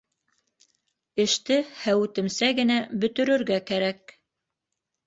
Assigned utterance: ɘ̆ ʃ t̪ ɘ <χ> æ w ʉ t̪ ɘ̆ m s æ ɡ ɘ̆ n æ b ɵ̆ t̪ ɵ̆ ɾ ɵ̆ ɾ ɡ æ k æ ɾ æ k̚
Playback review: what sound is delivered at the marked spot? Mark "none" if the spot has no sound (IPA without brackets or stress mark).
h